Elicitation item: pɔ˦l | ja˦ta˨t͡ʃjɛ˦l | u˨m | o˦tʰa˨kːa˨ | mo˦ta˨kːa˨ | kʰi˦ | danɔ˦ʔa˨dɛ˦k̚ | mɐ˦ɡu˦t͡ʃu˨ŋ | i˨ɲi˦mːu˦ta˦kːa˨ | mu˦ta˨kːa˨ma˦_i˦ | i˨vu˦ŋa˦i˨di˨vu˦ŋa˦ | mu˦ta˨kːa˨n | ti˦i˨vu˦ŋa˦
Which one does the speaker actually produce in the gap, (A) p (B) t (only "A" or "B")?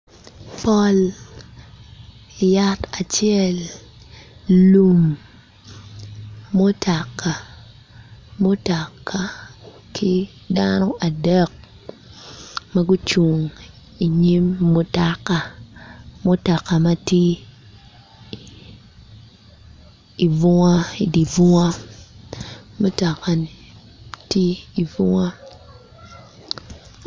B